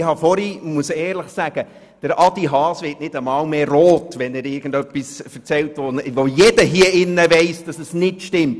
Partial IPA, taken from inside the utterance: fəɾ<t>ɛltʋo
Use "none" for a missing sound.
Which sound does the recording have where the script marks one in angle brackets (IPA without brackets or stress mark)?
t͡s